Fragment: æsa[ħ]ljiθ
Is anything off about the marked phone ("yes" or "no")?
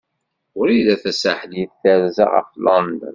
no